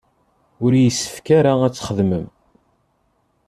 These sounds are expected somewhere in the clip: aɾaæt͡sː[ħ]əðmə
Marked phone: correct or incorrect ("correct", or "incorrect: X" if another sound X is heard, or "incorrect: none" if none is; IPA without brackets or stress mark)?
incorrect: χ